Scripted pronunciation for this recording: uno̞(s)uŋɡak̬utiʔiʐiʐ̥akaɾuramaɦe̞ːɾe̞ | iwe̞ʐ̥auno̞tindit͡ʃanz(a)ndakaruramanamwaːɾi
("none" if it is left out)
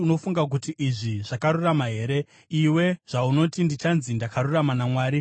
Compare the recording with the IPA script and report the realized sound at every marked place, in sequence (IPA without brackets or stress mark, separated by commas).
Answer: f, i